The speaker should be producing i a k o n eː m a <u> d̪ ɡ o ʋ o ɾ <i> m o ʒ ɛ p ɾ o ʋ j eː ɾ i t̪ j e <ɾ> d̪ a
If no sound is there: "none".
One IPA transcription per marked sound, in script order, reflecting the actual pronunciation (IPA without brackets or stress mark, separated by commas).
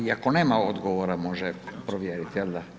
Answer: o, a, l